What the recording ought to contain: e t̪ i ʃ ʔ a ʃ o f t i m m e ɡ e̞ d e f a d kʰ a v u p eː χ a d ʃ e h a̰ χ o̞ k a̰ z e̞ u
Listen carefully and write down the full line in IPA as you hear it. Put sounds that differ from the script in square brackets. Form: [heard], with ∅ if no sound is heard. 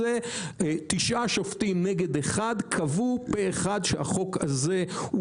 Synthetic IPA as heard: e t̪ i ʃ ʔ a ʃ o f t i m [n] e ɡ e̞ d e [χ] a d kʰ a v u p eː χ a d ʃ e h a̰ χ o̞ k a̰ z e̞ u